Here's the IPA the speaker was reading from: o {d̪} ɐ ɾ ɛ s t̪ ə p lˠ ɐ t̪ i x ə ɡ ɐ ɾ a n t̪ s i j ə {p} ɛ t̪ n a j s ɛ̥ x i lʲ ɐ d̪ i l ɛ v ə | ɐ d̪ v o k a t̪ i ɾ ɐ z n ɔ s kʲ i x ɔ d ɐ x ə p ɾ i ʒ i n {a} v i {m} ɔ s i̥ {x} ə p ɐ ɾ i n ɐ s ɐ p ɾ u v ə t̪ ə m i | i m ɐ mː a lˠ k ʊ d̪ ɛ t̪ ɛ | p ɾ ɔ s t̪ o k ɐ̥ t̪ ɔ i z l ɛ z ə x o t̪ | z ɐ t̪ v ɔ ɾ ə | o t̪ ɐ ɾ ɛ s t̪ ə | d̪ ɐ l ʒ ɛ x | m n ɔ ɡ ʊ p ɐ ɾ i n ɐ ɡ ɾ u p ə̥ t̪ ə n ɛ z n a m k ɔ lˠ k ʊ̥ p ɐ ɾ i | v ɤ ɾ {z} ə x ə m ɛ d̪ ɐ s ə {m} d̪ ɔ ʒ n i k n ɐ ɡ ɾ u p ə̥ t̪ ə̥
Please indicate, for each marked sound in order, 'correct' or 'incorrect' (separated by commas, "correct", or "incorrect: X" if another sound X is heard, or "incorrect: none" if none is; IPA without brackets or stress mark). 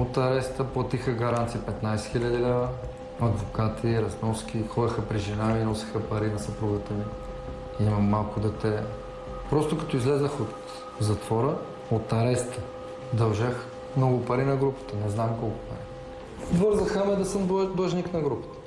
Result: incorrect: t̪, correct, correct, incorrect: n, correct, correct, correct